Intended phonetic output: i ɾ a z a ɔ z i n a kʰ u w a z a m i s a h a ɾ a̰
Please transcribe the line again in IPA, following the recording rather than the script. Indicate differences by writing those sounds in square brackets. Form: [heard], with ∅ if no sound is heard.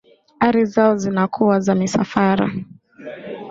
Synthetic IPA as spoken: [a] ɾ [i] z a ɔ z i n a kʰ u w a z a m i s a [f] a ɾ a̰